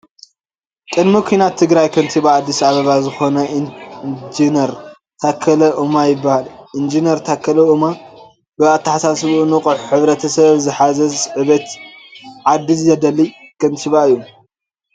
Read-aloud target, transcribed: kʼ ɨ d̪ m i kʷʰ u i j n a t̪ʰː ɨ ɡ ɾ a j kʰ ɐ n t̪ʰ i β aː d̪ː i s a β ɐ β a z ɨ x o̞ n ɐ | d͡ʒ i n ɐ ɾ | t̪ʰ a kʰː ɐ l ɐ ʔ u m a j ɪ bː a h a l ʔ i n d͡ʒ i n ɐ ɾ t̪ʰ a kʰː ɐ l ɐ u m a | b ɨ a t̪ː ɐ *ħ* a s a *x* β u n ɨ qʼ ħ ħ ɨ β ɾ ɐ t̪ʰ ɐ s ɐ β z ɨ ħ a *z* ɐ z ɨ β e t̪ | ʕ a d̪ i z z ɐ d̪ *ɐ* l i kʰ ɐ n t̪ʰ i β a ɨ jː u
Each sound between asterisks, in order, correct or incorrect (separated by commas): correct, incorrect, correct, correct